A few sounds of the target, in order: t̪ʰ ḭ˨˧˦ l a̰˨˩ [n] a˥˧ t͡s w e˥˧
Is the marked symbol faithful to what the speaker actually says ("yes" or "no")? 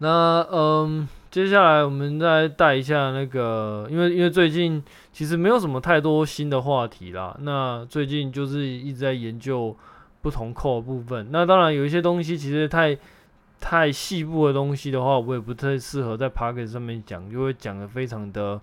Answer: yes